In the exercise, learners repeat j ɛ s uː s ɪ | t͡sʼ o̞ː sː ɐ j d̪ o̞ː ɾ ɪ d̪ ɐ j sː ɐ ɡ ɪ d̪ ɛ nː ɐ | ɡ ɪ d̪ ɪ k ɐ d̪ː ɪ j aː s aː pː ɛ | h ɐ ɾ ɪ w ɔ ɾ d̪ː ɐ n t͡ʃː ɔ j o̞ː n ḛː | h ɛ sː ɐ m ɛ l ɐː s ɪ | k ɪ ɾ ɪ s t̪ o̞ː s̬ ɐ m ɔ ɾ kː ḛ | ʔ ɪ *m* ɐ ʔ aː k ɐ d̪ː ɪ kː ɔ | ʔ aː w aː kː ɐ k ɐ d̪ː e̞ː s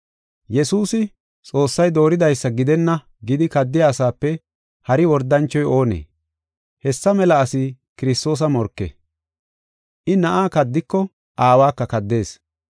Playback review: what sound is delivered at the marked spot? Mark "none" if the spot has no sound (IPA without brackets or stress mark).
n